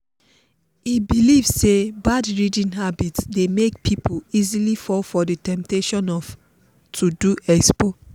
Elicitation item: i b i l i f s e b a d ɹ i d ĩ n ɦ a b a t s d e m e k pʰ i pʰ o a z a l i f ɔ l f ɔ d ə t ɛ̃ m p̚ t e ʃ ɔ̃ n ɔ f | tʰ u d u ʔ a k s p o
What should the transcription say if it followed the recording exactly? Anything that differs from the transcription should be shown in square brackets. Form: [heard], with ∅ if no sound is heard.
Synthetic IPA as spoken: i b i l i [v] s e b a d ɹ i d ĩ n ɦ a b [i] t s d e m e k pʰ i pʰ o [i] z [i] l i f ɔ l f ɔ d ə t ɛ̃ m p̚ t e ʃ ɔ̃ n ɔ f | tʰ u d u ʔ [ɛ] k s p o